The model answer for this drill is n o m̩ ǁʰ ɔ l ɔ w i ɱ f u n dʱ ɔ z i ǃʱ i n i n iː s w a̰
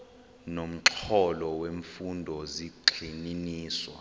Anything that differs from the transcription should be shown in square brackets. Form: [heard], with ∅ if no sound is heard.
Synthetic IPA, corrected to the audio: n o m̩ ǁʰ ɔ l ɔ w [e] ɱ f u n dʱ ɔ z i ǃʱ i n i n iː s w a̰